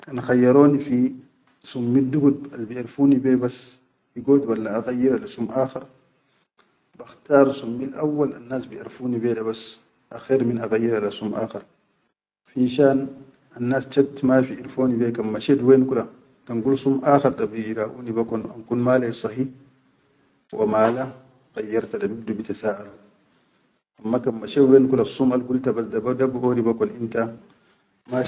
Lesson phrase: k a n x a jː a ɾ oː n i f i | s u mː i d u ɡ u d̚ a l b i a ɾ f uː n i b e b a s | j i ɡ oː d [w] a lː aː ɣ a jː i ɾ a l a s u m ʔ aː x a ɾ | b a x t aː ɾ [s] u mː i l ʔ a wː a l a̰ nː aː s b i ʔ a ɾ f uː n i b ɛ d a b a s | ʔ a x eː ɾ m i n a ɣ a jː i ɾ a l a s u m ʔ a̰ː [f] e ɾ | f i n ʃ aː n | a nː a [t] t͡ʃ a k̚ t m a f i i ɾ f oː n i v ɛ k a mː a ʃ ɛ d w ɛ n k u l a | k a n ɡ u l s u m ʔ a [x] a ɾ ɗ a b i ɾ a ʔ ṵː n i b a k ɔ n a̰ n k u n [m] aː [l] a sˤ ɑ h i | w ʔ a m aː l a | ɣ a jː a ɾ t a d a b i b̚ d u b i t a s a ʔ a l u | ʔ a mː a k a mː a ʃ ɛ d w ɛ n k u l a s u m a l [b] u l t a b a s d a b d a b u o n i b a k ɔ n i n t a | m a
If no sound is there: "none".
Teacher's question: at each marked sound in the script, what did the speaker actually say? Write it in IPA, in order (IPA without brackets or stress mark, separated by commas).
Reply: w, s, x, s, x, m, l, ɡ